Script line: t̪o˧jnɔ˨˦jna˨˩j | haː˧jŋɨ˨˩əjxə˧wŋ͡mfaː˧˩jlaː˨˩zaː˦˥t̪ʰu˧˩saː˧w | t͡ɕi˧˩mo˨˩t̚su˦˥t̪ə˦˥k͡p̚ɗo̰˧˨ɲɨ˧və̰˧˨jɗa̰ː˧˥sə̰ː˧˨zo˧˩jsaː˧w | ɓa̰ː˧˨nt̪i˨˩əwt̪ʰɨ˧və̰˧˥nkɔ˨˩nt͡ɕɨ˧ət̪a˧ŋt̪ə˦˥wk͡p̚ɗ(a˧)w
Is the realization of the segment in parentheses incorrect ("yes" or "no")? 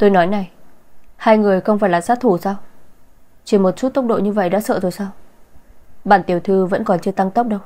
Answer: yes